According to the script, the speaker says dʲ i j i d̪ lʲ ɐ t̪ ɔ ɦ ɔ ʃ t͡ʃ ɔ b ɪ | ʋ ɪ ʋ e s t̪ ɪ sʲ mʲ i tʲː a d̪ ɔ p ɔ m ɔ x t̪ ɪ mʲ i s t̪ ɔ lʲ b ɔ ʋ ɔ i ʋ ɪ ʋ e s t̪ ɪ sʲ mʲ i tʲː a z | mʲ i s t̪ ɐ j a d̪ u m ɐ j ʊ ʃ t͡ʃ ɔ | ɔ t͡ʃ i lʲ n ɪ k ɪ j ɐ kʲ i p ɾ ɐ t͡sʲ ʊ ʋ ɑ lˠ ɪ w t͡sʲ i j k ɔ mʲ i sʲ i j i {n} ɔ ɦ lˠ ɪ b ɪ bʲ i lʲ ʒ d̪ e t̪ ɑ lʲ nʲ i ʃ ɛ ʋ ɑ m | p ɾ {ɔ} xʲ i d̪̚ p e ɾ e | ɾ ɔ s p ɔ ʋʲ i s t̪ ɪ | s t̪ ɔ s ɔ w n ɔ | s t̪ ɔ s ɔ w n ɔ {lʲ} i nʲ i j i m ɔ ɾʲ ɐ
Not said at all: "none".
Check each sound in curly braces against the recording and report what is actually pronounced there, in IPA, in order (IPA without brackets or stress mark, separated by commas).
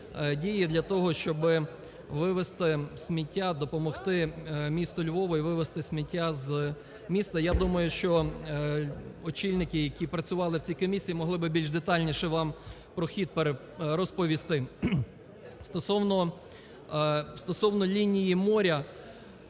m, ɔ, lʲ